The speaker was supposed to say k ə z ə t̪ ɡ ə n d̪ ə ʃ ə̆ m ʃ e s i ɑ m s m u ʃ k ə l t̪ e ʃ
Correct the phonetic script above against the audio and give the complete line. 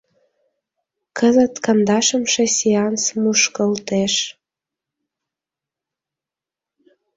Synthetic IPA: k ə z ə t̪ k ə n d̪ ɑ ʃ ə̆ m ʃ e s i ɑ n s m u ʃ k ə l t̪ e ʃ